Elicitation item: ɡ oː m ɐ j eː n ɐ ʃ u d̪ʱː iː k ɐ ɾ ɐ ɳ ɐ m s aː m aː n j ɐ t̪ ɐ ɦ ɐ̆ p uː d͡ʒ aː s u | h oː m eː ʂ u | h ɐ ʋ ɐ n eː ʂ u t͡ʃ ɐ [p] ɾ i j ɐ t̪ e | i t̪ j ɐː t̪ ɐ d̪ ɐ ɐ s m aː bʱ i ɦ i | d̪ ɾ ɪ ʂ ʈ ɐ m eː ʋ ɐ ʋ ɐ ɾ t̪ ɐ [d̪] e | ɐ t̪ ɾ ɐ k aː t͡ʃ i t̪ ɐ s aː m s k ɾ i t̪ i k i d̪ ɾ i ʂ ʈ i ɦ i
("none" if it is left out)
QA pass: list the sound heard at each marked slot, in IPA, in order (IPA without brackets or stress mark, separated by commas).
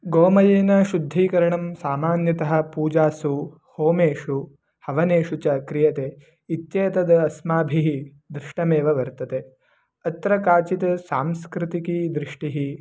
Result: k, t̪